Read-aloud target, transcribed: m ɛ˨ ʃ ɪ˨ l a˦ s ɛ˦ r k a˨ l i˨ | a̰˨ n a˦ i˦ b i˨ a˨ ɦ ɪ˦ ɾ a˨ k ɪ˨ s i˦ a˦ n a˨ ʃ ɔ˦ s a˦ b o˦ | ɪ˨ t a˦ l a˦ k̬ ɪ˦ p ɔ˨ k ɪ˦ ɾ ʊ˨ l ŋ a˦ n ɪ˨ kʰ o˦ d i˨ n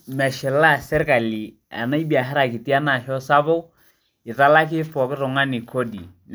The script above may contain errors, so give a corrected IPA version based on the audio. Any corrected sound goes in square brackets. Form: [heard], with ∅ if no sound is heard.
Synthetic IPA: m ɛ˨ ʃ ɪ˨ l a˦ s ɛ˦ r k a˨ l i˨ | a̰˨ n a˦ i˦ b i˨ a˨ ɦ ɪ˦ ɾ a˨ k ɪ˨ [t] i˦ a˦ n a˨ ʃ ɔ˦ s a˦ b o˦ | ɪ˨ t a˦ l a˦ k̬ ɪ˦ p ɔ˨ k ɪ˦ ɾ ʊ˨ [∅] ŋ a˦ n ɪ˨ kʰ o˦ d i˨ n